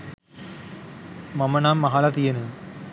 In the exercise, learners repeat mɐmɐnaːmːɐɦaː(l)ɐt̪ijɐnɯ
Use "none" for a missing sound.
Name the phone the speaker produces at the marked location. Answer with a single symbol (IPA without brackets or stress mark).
l